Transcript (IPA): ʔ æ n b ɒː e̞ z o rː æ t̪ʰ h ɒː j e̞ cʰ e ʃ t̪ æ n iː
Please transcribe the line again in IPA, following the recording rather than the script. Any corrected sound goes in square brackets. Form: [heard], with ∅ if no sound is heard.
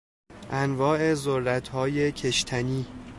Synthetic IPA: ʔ æ n [v] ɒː e̞ z o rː æ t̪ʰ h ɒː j e̞ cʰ e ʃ [t̪ʰ] æ n iː